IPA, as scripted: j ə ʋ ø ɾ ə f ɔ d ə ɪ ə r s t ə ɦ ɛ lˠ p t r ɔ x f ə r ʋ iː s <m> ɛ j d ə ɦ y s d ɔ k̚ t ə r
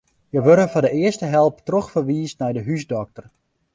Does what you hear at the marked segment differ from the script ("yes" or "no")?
yes